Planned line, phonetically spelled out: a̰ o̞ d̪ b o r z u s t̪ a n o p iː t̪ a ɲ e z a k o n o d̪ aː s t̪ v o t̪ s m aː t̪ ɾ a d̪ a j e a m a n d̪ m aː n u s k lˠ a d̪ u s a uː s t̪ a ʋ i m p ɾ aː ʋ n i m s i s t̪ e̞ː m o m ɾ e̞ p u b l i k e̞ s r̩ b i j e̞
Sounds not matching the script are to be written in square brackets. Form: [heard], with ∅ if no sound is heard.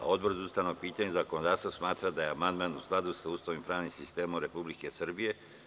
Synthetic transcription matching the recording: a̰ o̞ d̪ b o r z u s t̪ a n o p iː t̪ a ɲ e z a k o n o d̪ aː s t̪ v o [∅] s m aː t̪ ɾ a d̪ a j e a m a n d̪ m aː n u s k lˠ a d̪ u s a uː s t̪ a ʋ i m p ɾ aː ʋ n i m s i s t̪ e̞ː m o m ɾ e̞ p u b l i k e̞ s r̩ b i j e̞